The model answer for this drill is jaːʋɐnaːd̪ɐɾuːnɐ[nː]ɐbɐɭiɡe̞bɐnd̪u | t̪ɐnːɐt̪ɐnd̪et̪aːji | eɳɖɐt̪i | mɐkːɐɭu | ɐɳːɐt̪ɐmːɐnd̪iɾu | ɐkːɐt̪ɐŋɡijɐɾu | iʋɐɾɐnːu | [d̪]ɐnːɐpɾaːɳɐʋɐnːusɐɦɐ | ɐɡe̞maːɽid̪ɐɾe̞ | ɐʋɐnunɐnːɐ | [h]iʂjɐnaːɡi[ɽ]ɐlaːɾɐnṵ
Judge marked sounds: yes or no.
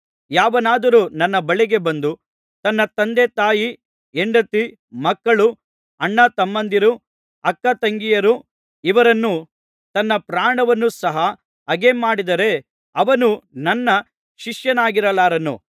yes, no, no, no

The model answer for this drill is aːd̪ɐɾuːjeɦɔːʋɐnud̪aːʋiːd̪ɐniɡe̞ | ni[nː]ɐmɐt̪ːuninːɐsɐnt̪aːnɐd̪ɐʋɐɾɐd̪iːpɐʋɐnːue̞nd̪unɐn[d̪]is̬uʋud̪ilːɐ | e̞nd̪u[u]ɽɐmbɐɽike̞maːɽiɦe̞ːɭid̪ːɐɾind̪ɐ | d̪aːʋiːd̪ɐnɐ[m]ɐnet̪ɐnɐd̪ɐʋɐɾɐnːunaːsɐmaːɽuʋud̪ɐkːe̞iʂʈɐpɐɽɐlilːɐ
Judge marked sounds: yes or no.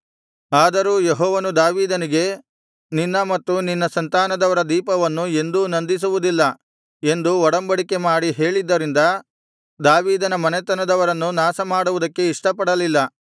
yes, yes, no, yes

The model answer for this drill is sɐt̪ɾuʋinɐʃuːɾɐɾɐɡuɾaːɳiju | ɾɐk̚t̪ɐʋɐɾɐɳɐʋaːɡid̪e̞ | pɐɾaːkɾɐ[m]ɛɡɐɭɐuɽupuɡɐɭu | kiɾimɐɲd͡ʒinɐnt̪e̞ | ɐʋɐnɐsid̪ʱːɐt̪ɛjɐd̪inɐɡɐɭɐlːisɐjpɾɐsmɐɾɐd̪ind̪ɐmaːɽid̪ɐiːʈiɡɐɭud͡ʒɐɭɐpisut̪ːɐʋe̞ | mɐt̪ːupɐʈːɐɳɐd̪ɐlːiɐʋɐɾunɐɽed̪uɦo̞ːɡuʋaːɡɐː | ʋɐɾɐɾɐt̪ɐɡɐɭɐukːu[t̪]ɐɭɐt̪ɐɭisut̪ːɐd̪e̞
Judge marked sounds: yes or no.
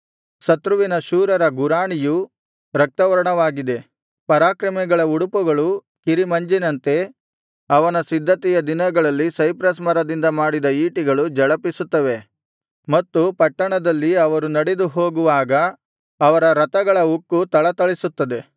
yes, yes

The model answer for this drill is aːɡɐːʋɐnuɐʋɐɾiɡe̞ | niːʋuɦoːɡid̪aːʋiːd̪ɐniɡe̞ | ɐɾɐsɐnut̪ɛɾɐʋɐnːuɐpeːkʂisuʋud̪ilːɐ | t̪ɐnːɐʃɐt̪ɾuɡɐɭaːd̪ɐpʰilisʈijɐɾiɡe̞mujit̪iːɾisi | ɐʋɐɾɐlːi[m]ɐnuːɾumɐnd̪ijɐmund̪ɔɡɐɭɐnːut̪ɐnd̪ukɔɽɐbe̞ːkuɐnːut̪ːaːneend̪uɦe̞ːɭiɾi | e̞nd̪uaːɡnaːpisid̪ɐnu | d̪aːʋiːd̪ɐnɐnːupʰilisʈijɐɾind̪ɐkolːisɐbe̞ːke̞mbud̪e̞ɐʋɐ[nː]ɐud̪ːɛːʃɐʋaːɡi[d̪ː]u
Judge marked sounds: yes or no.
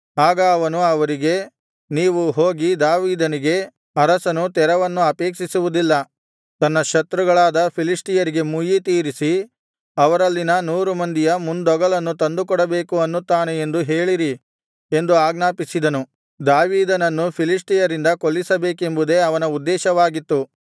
no, no, no

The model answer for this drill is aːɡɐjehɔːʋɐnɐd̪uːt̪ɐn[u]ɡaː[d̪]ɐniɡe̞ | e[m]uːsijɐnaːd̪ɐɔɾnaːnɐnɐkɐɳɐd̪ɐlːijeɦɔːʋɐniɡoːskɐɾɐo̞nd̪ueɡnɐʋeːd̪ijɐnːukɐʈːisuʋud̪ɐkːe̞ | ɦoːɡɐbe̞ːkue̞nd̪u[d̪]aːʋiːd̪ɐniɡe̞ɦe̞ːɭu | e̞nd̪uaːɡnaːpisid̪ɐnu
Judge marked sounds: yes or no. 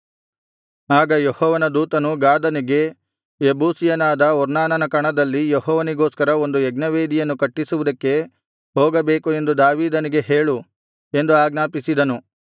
yes, yes, no, yes

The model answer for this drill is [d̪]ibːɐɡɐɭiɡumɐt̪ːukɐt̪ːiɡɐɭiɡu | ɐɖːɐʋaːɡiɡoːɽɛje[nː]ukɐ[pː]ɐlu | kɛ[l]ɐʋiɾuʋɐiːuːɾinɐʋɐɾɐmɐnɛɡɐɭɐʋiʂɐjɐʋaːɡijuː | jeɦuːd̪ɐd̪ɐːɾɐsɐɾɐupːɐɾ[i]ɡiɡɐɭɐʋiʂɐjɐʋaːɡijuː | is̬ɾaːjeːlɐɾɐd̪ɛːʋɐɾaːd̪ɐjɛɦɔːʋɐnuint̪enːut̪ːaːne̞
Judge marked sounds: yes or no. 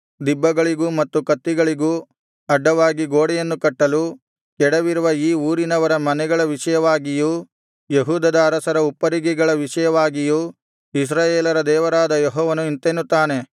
yes, yes, no, no, yes

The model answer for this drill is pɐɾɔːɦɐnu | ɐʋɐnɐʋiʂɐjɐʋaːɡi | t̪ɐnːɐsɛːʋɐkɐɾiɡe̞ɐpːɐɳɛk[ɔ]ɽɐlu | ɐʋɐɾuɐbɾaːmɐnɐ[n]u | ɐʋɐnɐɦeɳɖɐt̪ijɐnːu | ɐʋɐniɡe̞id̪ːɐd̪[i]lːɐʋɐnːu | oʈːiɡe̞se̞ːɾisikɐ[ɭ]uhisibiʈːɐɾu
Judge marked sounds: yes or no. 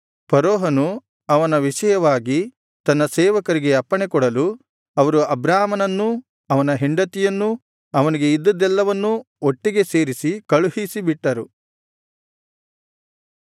yes, no, no, yes

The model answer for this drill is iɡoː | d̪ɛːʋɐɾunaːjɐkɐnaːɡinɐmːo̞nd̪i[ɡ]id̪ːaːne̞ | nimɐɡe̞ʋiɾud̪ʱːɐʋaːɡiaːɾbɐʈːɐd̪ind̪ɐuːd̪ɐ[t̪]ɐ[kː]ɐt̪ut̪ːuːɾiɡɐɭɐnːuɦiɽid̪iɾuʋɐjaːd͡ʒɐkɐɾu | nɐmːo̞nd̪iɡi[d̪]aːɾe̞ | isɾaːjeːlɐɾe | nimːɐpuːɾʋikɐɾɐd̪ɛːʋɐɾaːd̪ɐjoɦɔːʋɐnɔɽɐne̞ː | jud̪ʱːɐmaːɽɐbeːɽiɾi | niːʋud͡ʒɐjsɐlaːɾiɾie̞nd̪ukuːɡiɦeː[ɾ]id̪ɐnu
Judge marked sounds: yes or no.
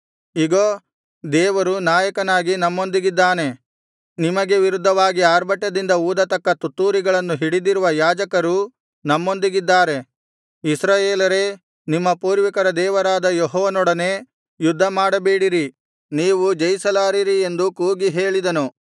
yes, yes, yes, no, no

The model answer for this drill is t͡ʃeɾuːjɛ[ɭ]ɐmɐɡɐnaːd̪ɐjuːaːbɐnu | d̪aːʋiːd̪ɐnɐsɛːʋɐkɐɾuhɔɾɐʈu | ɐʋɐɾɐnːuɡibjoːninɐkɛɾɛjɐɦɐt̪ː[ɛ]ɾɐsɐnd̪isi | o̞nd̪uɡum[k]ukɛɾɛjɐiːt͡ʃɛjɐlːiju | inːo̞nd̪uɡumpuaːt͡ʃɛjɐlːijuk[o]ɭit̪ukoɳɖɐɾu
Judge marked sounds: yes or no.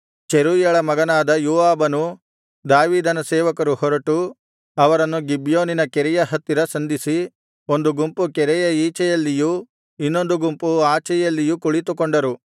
yes, no, no, no

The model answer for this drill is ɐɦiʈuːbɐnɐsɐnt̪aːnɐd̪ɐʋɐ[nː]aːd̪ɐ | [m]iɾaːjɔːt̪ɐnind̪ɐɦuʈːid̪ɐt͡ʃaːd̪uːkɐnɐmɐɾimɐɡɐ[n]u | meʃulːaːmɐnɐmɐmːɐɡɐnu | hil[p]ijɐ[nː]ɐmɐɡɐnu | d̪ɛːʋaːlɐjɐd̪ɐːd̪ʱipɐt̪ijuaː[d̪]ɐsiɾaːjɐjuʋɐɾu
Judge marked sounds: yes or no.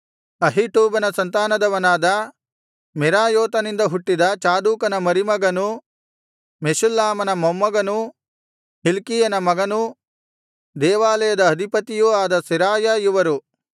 no, yes, yes, no, no, yes

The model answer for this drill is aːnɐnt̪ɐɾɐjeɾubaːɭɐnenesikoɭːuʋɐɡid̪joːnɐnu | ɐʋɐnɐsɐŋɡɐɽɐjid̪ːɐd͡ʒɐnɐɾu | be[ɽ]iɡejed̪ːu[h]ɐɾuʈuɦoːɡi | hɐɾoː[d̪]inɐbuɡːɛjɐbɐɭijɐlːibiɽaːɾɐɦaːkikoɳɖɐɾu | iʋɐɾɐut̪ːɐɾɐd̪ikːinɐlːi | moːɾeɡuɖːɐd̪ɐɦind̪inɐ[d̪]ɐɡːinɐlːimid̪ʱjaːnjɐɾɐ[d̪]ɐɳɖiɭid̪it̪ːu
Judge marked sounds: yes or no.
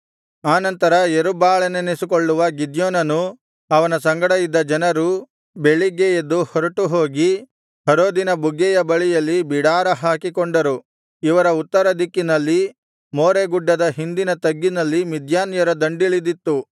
no, yes, yes, no, yes

